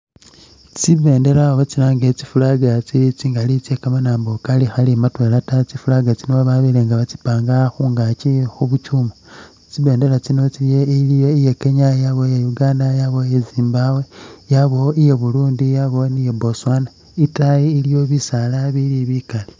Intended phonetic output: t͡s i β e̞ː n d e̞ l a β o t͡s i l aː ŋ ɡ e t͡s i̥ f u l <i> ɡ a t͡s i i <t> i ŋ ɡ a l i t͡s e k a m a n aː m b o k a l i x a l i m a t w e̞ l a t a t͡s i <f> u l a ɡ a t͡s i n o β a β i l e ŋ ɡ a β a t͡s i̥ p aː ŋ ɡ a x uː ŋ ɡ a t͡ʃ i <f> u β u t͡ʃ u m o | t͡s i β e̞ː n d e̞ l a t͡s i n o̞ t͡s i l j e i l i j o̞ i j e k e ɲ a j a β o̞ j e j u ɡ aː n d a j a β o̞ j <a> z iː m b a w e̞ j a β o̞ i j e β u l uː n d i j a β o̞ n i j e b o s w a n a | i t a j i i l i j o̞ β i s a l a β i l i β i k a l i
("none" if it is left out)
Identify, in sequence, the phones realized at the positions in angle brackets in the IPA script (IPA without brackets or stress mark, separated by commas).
a, t͡s, f, x, e